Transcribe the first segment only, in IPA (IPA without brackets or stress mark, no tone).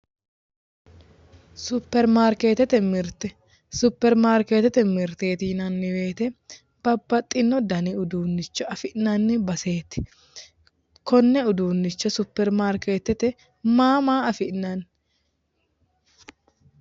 s